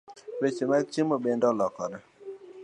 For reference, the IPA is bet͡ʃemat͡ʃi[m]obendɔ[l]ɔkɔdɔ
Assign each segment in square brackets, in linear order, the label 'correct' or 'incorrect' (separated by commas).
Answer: correct, correct